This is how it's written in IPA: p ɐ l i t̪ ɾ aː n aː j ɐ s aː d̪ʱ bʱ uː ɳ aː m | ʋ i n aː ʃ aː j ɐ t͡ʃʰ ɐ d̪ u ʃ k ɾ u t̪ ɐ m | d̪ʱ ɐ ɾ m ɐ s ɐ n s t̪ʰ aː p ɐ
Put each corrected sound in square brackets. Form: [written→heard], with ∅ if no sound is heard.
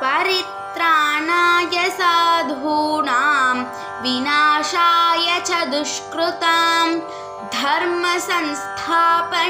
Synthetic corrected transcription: p ɐ [l→ɾ] i t̪ ɾ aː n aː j ɐ s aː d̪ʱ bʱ uː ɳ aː m | ʋ i n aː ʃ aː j ɐ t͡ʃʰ ɐ d̪ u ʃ k ɾ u t̪ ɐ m | d̪ʱ ɐ ɾ m ɐ s ɐ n s t̪ʰ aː p ɐ